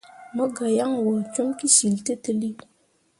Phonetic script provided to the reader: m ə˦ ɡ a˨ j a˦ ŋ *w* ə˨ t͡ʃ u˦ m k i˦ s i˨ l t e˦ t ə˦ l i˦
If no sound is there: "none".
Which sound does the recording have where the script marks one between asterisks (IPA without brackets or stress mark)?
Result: w